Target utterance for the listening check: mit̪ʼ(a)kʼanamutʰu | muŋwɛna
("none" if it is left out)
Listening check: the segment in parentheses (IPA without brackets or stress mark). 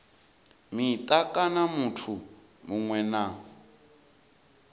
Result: a